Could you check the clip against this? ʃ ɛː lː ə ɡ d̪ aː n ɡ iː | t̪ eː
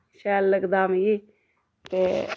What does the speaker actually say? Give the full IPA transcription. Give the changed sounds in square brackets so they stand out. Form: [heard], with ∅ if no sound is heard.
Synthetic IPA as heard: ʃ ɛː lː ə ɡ d̪ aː [m] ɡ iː | t̪ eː